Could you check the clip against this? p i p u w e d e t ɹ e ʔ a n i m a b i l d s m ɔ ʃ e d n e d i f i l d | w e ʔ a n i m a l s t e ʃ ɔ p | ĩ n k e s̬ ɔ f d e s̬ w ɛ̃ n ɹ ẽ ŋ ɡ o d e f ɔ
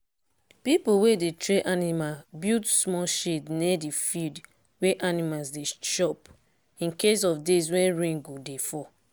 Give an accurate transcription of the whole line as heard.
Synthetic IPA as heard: p i p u w e d e t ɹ e ʔ a n i m a b i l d s m ɔ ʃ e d n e d i f i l d | w e ʔ a n i m a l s d e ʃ ɔ p | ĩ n k e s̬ ɔ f d e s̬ w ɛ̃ n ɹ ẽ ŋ ɡ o d e f ɔ